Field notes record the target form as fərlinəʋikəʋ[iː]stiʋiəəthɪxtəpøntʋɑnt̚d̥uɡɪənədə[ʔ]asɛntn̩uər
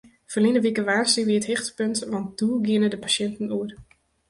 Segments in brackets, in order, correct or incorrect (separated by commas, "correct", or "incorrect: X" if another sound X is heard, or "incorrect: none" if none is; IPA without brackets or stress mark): incorrect: aː, incorrect: p